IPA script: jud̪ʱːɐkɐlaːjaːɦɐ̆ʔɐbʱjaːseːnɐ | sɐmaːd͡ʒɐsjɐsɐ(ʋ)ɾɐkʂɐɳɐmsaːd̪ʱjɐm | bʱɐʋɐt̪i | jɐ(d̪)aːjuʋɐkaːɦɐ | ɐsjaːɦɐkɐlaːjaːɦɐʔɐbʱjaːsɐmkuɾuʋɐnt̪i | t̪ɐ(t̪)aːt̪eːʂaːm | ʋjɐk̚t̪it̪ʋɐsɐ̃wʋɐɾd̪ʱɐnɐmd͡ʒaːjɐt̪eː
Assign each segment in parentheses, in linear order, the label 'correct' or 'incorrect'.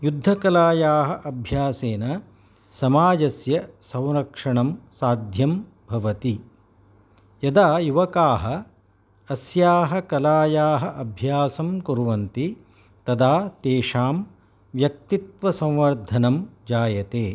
incorrect: w, correct, incorrect: d̪

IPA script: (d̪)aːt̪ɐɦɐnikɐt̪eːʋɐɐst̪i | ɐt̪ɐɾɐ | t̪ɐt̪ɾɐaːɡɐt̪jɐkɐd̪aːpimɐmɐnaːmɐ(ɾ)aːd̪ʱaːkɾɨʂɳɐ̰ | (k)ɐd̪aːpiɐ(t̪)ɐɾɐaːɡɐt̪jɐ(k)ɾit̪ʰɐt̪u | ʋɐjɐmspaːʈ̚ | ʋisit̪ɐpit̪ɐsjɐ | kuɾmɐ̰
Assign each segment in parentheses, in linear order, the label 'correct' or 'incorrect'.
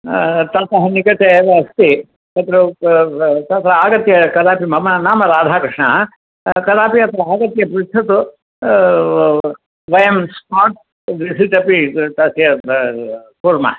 incorrect: t̪, correct, correct, correct, incorrect: p

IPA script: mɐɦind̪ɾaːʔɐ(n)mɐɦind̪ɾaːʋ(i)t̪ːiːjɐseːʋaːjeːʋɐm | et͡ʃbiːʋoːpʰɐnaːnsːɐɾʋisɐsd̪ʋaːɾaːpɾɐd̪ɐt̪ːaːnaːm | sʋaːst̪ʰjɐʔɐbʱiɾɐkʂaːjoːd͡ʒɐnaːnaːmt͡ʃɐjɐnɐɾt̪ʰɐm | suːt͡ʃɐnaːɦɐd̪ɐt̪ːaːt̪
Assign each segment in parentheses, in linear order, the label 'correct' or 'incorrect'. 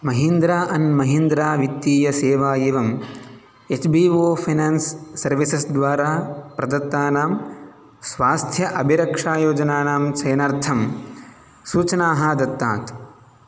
correct, correct

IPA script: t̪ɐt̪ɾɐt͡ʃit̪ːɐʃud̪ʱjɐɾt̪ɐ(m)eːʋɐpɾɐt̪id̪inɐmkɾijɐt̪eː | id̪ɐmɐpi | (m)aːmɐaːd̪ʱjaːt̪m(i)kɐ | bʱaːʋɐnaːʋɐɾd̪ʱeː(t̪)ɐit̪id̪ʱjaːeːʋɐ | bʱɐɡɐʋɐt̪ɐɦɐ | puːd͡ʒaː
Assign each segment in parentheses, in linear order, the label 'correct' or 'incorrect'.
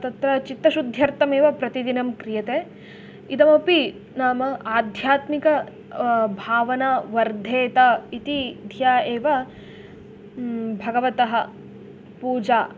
correct, incorrect: n, correct, correct

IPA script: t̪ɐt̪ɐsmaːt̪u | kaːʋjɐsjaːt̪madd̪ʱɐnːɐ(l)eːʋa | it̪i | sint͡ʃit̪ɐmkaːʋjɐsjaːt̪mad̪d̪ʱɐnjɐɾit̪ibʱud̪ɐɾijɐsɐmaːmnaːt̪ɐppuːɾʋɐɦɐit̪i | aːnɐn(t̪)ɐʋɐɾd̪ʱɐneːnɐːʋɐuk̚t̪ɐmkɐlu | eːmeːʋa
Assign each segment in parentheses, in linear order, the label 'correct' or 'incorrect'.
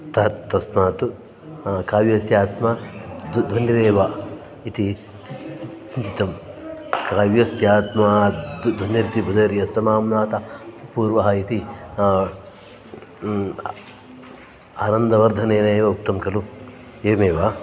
incorrect: ɾ, incorrect: d̪

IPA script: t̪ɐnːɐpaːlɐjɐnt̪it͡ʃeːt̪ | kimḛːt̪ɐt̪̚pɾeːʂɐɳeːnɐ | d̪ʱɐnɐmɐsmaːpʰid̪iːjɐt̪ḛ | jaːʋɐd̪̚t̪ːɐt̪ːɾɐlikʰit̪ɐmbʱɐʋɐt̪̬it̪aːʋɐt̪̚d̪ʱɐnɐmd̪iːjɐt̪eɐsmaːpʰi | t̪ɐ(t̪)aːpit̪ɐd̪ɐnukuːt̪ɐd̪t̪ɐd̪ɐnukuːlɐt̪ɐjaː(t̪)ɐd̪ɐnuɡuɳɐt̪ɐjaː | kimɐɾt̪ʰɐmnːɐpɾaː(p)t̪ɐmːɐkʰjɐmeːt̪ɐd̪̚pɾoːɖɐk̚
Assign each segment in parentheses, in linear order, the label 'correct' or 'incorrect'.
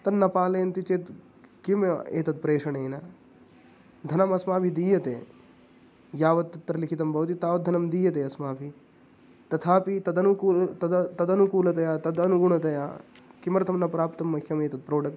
incorrect: t̪ʰ, correct, correct

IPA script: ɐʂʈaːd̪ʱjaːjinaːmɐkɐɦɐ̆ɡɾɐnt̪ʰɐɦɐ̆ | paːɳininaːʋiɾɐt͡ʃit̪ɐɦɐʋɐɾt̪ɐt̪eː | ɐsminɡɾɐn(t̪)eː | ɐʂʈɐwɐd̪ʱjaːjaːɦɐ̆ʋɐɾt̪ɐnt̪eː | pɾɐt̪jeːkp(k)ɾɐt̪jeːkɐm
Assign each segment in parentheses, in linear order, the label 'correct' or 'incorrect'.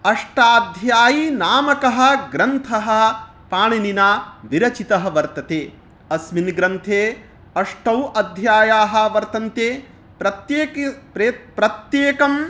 incorrect: t̪ʰ, incorrect: p

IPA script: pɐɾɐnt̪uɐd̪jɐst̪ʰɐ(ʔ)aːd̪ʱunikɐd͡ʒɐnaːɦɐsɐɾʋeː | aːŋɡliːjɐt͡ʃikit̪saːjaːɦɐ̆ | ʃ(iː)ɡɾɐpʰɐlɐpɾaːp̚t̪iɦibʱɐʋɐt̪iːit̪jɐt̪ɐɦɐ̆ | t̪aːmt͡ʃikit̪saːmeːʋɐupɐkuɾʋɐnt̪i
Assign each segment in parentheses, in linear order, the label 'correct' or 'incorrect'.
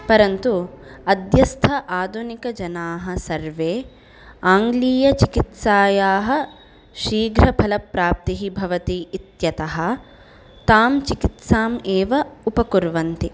correct, correct

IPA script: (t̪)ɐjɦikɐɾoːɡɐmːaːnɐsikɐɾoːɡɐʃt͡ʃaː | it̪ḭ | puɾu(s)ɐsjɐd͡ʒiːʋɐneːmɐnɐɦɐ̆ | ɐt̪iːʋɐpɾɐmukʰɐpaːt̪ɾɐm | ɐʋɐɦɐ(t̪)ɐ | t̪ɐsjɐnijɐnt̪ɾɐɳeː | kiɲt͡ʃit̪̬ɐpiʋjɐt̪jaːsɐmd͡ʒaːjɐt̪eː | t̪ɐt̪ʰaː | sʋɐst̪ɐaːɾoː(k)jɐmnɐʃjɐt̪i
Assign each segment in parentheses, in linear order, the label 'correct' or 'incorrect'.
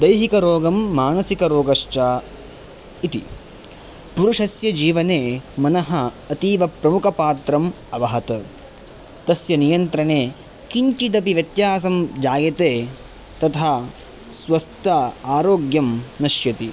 incorrect: d̪, incorrect: ʂ, correct, incorrect: ɡ

